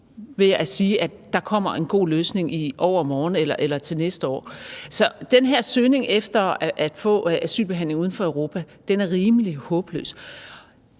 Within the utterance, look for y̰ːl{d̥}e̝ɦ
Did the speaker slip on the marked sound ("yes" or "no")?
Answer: yes